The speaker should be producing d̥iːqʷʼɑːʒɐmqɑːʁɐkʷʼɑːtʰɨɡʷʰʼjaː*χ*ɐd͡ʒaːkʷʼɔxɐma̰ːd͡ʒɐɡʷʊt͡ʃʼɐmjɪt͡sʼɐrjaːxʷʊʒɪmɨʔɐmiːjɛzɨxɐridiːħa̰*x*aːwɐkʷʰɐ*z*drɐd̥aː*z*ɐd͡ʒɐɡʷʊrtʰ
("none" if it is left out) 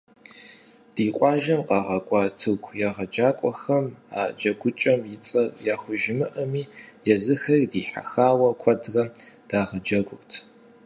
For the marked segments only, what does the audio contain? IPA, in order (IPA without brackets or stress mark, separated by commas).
ʁ, x, none, ʁ